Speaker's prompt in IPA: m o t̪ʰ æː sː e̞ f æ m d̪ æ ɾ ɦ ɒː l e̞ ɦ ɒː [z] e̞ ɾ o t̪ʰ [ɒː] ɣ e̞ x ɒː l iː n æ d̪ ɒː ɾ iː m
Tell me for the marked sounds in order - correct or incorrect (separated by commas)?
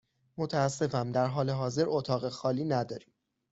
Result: correct, correct